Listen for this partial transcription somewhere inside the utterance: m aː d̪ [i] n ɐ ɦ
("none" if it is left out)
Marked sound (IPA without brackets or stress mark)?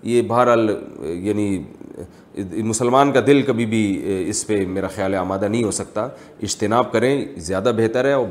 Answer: a